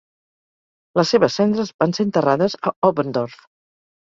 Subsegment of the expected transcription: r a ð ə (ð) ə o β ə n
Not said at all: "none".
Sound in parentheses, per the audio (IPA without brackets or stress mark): z